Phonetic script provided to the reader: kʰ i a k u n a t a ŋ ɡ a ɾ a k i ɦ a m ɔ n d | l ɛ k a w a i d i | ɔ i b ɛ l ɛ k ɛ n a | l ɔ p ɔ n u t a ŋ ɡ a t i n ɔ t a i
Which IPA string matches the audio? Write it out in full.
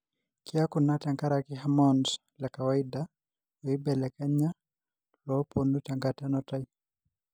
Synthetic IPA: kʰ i a k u n a t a ŋ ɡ a ɾ a k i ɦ a m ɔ n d | l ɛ k a w a i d a | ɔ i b ɛ l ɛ k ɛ ɲ a | l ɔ p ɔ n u t a ŋ ɡ a t a n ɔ t a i